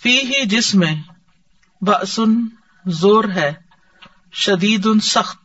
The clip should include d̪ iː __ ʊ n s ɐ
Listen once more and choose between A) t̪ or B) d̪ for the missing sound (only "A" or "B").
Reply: B